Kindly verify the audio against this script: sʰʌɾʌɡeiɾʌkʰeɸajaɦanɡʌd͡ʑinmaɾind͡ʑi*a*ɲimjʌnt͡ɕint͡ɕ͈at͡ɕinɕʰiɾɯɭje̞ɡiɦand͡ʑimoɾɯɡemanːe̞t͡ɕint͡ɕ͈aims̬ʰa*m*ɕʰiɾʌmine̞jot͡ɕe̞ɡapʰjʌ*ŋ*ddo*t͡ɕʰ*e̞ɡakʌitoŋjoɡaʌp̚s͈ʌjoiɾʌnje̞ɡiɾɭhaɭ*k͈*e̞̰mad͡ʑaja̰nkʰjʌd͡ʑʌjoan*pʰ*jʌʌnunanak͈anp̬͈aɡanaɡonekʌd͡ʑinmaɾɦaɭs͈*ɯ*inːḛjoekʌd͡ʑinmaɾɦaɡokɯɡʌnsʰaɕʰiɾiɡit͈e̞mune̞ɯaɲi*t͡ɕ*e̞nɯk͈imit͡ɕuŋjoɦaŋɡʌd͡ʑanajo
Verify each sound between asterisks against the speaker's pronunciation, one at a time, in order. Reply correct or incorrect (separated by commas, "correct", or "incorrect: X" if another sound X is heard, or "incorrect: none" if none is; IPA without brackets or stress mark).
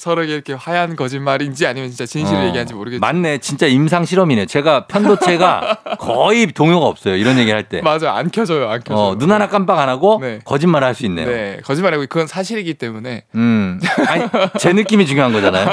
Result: correct, incorrect: ŋ, incorrect: n, correct, incorrect: t͈, incorrect: kʰ, incorrect: u, correct